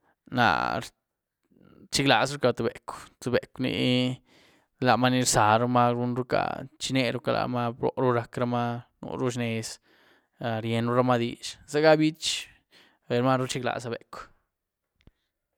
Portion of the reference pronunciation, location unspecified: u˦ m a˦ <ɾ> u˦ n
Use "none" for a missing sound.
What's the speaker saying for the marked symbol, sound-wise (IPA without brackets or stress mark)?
ɾ